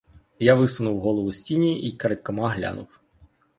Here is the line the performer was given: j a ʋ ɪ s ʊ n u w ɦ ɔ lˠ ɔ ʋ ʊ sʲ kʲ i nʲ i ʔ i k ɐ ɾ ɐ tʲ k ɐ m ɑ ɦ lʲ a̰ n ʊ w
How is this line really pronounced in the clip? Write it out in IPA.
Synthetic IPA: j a ʋ ɪ s ʊ n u w ɦ ɔ lˠ ɔ ʋ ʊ sʲ tʲ i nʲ i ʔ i k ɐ ɾ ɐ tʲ k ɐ m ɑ ɦ lʲ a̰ n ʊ w

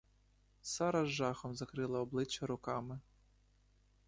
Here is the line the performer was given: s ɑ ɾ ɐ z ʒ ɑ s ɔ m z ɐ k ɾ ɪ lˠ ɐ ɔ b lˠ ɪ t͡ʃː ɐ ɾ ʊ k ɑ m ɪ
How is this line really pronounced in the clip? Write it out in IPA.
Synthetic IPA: s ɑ ɾ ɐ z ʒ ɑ x ɔ m z ɐ k ɾ ɪ lˠ ɐ ɔ b lˠ ɪ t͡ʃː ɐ ɾ ʊ k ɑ m ɪ

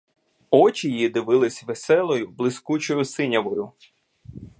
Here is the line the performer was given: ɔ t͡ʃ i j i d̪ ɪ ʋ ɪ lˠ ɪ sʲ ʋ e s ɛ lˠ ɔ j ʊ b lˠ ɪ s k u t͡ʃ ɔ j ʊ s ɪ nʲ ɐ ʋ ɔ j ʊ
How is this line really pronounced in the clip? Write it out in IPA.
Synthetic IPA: ɔ t͡ʃ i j i d̪ ɪ ʋ ɪ lˠ ɪ sʲ ʋ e s ɛ lˠ ɔ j ʊ b lˠ ɪ s k u t͡ʃ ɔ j ʊ s ɪ nʲ ɐ ʋ ɔ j ʊ

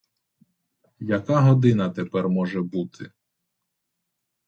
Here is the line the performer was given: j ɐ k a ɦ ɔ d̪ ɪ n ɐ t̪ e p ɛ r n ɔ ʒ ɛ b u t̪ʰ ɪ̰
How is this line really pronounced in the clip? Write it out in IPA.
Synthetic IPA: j ɐ k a ɦ ɔ d̪ ɪ n ɐ t̪ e p ɛ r m ɔ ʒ ɛ b u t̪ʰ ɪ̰

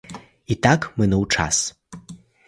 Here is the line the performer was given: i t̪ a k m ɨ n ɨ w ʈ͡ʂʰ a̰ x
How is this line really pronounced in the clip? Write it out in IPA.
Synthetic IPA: i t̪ a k m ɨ n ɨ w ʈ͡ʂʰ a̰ s

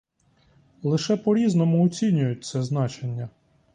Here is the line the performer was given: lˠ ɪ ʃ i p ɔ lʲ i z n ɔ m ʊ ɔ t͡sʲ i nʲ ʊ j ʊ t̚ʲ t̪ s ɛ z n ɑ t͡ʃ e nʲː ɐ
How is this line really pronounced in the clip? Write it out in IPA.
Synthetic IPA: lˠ ɪ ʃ ɛ p ɔ ɾʲ i z n ɔ m ʊ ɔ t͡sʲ i nʲ ʊ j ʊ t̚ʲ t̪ s ɛ z n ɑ t͡ʃ e nʲː ɐ

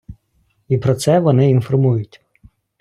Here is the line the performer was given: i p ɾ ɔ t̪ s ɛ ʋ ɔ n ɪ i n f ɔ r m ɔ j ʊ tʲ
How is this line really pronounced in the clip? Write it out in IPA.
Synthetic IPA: i p ɾ ɔ t̪ s ɛ ʋ ɔ n ɪ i n f ɔ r m u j ʊ tʲ

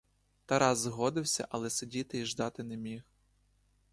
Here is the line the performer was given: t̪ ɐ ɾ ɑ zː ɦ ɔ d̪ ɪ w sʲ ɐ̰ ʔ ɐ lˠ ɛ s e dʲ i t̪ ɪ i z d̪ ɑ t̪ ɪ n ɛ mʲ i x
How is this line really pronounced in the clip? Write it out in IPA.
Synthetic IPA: t̪ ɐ ɾ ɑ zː ɦ ɔ d̪ ɪ w sʲ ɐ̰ ʔ ɐ lˠ ɛ s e dʲ i t̪ ɪ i ʒ d̪ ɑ t̪ ɪ n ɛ mʲ i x

